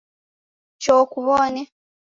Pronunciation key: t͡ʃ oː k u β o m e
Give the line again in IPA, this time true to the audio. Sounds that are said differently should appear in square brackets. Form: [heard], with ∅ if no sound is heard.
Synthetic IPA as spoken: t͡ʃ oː k u β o [n] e